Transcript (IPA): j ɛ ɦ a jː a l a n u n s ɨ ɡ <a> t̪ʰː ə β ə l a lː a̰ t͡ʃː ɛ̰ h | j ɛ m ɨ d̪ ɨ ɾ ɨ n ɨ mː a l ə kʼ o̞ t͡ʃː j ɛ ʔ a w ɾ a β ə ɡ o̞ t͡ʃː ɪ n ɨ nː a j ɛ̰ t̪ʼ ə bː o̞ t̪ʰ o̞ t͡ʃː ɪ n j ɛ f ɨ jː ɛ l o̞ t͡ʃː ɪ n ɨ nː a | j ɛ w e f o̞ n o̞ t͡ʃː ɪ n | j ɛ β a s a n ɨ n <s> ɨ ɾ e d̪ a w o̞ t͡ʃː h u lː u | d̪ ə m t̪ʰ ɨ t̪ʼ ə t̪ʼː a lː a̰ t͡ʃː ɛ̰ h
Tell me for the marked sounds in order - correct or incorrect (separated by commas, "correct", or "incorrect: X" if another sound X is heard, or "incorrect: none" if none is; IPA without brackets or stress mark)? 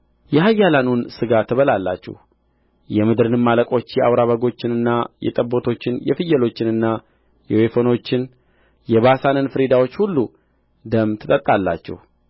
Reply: correct, incorrect: f